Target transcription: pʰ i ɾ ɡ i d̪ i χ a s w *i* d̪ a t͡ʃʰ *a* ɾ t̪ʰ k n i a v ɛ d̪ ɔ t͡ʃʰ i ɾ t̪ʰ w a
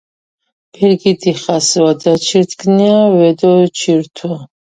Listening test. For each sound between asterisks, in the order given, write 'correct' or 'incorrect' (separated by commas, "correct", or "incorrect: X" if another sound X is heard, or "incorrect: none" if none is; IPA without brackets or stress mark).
incorrect: a, incorrect: i